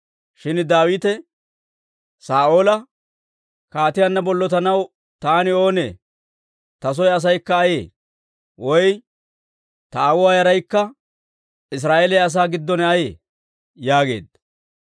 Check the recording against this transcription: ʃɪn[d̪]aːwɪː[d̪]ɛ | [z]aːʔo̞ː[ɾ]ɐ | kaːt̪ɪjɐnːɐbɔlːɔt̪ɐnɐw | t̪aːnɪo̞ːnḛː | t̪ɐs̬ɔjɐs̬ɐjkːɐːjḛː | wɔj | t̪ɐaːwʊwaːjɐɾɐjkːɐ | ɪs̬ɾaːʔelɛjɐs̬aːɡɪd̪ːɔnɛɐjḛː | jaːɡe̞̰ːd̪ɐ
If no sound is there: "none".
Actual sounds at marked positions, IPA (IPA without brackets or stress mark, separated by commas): d̪, t̪, s, l